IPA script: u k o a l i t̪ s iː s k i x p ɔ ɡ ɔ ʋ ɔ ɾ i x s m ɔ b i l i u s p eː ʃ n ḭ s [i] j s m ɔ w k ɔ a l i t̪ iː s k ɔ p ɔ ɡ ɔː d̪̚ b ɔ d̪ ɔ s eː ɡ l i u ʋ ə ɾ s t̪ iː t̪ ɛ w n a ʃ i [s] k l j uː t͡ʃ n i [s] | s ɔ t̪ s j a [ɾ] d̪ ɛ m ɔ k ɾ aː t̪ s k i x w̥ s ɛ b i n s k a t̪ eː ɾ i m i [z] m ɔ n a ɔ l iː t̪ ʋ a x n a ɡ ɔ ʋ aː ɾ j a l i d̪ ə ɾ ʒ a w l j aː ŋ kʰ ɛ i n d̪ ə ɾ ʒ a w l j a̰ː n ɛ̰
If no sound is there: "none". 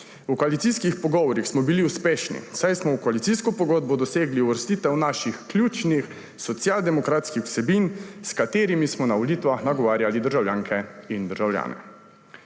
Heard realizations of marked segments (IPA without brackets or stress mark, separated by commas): a, x, x, l, s